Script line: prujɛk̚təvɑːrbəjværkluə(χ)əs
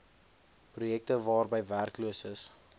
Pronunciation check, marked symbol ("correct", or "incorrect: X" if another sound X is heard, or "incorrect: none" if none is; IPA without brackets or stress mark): incorrect: s